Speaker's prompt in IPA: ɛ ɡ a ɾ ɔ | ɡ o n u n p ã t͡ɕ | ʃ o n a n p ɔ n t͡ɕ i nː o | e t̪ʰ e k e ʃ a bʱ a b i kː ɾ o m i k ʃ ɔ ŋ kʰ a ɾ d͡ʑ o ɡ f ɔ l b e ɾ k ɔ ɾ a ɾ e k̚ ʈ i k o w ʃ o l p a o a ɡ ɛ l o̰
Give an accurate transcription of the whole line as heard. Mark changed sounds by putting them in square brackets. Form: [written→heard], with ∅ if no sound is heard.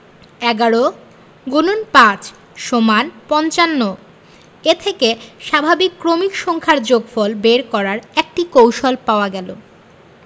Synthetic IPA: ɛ ɡ a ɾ [ɔ→o] | ɡ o n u n p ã t͡ɕ | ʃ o [n→m] a n p ɔ n t͡ɕ [i→a] nː o | e t̪ʰ e k e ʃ a bʱ a b i kː ɾ o m i k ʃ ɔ ŋ kʰ a ɾ d͡ʑ o ɡ f ɔ l b e ɾ k ɔ ɾ a ɾ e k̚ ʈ i k o w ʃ o l p a o a ɡ ɛ l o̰

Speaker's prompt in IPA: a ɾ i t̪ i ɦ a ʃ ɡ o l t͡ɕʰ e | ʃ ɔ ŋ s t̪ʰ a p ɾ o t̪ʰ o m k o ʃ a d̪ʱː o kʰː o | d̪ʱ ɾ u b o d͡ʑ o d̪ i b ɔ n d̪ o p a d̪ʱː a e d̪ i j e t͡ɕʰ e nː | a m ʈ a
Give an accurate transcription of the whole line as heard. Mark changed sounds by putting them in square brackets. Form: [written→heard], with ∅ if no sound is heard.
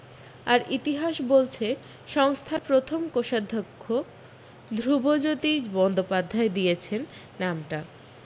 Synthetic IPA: a ɾ i t̪ i ɦ a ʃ [ɡ→b] o l t͡ɕʰ e | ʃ ɔ ŋ s t̪ʰ a p ɾ o t̪ʰ o m k o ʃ a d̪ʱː o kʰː o | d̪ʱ ɾ u b o d͡ʑ o [d̪→t̪] i b ɔ n d̪ o p a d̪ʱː a e d̪ i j e t͡ɕʰ e nː | a m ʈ a

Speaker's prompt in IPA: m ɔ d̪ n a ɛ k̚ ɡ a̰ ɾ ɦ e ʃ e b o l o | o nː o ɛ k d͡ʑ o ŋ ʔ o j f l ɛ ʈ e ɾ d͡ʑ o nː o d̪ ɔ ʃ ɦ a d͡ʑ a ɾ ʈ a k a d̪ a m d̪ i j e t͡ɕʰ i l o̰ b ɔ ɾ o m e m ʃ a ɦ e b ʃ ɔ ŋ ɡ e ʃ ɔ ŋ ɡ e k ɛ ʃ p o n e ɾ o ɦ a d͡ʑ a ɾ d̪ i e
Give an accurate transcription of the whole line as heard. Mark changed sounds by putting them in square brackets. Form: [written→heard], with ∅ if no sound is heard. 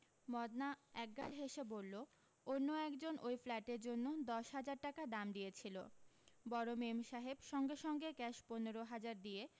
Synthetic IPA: m ɔ d̪ n a ɛ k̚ ɡ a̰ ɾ ɦ e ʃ e b o [l→lː] o | o nː o ɛ k d͡ʑ o [ŋ→n] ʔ o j f l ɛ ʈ e ɾ d͡ʑ o nː o d̪ ɔ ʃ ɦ a d͡ʑ a ɾ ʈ a k a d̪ a m d̪ i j e t͡ɕʰ i l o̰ b ɔ ɾ o m e m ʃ a ɦ e b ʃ ɔ ŋ ɡ e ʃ ɔ ŋ ɡ e k ɛ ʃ p o n e ɾ o ɦ a d͡ʑ a ɾ d̪ i e

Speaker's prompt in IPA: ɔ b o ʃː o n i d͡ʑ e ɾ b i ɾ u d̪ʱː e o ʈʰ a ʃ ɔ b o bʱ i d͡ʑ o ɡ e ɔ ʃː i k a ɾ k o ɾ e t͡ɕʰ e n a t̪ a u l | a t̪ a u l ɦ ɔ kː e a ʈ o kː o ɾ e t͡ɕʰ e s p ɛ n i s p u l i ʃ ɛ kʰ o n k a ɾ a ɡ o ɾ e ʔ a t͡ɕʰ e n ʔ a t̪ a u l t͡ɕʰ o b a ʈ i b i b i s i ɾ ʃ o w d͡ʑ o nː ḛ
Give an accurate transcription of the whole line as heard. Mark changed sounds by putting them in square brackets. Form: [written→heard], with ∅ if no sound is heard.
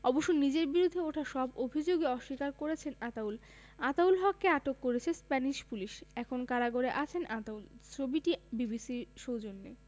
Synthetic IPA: ɔ b o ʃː o n i d͡ʑ e ɾ b i ɾ u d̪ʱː e o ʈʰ a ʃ ɔ b o bʱ i d͡ʑ o ɡ e ɔ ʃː i k a ɾ k o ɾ e t͡ɕʰ e n a t̪ a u l | a t̪ a u l ɦ ɔ kː e a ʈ o kː o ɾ e t͡ɕʰ e s p ɛ n i [s→ʃ] p u l i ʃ ɛ kʰ o n k a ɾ a ɡ o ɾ e ʔ a t͡ɕʰ e n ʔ a t̪ a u l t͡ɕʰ o b [a→i] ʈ i b i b i s i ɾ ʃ o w d͡ʑ o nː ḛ

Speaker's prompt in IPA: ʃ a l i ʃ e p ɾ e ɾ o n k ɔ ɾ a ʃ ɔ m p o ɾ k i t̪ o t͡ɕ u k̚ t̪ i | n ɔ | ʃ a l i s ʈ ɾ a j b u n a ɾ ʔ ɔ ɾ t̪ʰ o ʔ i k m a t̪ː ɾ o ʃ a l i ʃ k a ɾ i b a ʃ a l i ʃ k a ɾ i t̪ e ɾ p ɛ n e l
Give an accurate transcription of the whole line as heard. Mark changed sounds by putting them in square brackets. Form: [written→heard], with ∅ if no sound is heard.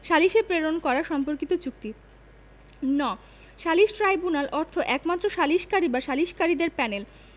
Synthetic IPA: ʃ a l i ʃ e p ɾ e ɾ o n k ɔ ɾ a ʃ ɔ m p o ɾ k i t̪ o t͡ɕ u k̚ t̪ i | n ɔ | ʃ a l i [s→ʃ] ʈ ɾ a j b u n a [ɾ→l] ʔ ɔ ɾ t̪ʰ o ʔ [i→ɛ] k m a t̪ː ɾ o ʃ a l i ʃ k a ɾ i b a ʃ a l i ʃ k a ɾ i [t̪→d̪] e ɾ p ɛ n e l

